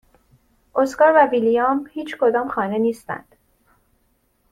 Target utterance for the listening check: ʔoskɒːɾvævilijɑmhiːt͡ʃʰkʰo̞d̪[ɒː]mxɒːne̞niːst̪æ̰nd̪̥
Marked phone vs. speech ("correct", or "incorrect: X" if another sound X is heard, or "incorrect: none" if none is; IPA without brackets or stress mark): correct